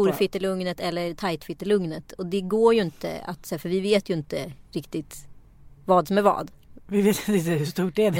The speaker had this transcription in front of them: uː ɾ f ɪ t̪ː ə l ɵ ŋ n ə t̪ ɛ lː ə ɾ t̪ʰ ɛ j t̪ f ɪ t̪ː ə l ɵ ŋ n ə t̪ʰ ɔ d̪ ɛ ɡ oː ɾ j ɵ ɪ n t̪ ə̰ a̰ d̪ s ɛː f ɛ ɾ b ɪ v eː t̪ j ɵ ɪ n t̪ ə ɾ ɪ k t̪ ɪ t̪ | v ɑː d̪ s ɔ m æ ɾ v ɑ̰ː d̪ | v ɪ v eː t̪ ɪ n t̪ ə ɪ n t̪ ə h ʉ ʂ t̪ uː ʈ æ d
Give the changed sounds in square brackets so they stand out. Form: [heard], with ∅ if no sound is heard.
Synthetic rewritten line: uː ɾ f ɪ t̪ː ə l ɵ ŋ n ə t̪ ɛ lː ə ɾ t̪ʰ [a] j t̪ f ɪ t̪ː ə l ɵ ŋ n ə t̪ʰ ɔ d̪ ɛ ɡ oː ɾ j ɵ ɪ n t̪ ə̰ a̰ [t̪] s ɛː f [œ] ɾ [v] ɪ v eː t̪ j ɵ ɪ n t̪ ə ɾ ɪ k t̪ ɪ t̪ | v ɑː d̪ s ɔ m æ ɾ v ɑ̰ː d̪ | v ɪ v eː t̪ ɪ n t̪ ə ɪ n t̪ ə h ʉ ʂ t̪ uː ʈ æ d